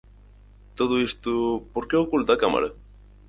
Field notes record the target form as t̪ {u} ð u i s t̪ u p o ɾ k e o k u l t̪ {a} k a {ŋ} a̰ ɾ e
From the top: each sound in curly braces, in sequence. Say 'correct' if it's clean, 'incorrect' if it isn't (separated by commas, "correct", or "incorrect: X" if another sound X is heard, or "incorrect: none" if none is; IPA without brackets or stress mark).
incorrect: o, correct, incorrect: m